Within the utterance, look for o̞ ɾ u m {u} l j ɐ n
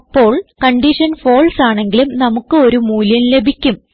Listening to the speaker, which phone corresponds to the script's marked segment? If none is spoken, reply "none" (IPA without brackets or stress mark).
uː